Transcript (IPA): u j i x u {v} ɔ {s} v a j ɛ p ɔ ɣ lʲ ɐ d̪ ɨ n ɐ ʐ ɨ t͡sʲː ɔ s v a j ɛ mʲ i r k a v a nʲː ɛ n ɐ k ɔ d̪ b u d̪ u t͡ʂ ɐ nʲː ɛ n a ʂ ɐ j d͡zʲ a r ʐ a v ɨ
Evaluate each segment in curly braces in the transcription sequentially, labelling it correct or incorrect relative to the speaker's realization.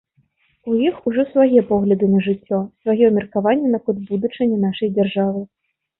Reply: incorrect: ʐ, correct

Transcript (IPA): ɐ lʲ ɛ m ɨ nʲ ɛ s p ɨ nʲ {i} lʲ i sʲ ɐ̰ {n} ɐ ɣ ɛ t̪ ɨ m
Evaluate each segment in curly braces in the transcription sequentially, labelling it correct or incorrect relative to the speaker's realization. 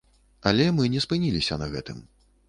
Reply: correct, correct

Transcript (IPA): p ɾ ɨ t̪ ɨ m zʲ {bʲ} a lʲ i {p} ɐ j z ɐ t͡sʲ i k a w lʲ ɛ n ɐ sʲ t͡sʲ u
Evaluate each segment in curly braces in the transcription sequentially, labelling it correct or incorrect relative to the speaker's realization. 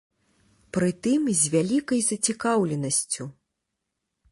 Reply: incorrect: vʲ, incorrect: k

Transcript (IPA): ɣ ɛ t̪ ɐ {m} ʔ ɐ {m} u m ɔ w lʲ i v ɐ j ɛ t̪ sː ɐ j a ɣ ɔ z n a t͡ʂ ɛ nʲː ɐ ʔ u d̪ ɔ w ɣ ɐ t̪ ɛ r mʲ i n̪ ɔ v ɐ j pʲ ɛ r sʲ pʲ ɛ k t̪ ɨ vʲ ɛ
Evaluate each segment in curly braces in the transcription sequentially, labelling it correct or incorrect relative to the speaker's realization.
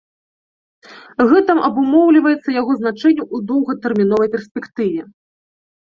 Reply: correct, incorrect: b

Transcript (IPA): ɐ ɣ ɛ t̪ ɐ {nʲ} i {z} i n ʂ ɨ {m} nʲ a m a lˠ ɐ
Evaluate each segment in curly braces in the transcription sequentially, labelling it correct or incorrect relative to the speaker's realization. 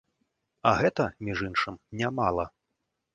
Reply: incorrect: mʲ, incorrect: ʐ, correct

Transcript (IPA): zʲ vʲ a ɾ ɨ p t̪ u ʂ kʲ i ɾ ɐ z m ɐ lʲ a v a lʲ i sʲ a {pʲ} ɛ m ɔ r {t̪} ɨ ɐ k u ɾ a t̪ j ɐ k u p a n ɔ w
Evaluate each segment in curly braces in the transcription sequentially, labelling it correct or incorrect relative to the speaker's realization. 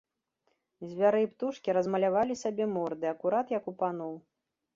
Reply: incorrect: bʲ, incorrect: d̪

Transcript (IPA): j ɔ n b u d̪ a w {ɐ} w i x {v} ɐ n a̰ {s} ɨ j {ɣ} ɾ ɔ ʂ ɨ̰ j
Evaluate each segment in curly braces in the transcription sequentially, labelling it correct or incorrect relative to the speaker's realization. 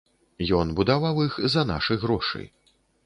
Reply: incorrect: a, incorrect: z, incorrect: ʂ, correct

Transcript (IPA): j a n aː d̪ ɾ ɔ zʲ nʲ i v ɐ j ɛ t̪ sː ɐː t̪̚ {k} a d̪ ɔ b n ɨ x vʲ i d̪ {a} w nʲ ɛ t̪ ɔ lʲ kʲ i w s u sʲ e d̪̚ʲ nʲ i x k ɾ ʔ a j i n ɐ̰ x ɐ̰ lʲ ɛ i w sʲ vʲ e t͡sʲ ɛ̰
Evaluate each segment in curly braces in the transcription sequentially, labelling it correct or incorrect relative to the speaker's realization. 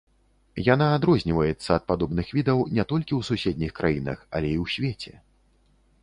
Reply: incorrect: p, incorrect: ɐ

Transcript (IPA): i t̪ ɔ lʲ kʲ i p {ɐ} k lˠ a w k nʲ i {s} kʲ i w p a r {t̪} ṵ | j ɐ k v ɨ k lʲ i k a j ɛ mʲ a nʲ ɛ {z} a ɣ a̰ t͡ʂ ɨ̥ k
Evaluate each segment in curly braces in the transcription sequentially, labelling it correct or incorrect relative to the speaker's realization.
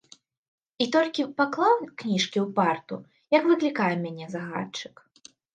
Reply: incorrect: a, incorrect: ʂ, correct, correct

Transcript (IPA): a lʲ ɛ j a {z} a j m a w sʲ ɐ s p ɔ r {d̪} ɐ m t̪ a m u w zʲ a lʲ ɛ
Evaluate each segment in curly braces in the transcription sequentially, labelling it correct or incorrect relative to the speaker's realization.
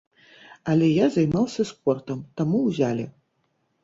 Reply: correct, incorrect: t̪

